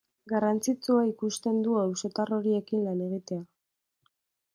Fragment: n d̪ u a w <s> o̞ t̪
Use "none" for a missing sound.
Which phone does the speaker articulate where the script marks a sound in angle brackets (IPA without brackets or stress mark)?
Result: s